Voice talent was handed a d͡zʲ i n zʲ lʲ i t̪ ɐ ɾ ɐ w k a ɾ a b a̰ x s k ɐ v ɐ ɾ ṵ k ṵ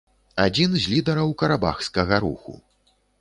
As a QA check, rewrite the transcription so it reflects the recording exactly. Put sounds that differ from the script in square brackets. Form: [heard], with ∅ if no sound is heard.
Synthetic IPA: a d͡zʲ i n zʲ lʲ i [d̪] ɐ ɾ ɐ w k [ɐ] ɾ a b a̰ x s k ɐ [ɣ] ɐ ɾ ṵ [x] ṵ